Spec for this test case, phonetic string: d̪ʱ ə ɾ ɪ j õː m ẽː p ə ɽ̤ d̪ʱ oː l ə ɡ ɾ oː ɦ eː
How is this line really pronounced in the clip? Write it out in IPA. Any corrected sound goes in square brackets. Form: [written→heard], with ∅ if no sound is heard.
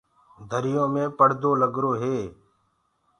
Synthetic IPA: d̪ʱ ə ɾ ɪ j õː m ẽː p ə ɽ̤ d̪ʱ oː l ə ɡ ɾ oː ɦ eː